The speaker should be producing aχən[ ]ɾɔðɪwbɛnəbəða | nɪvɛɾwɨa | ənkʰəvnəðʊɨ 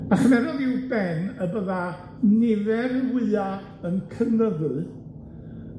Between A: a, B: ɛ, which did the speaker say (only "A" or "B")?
B